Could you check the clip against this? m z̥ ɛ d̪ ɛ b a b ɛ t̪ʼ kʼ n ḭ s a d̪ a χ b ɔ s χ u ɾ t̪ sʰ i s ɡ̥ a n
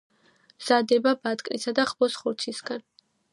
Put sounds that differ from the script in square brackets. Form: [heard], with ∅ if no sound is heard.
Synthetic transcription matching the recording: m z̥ [a] d̪ ɛ b a b [a] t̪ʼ kʼ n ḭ s a d̪ a χ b ɔ s χ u ɾ t̪ sʰ i s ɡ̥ a n